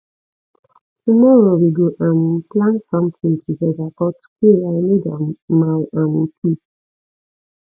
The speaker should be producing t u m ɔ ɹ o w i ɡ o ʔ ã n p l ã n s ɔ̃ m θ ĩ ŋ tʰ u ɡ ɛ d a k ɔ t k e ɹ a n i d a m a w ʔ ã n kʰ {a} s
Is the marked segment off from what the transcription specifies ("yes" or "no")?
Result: yes